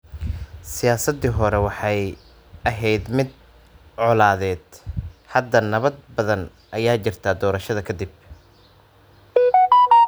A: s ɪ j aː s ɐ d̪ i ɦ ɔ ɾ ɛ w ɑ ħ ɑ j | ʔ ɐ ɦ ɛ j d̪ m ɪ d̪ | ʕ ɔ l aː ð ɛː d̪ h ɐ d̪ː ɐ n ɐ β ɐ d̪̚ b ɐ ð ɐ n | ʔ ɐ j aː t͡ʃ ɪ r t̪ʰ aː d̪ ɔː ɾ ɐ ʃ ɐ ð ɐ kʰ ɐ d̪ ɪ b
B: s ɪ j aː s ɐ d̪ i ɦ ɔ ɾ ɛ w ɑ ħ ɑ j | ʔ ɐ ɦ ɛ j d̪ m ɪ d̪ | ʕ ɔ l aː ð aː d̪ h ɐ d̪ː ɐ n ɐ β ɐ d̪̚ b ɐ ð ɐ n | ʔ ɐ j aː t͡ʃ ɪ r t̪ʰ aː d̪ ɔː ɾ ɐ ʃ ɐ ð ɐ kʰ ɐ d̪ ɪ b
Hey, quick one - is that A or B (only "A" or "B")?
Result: A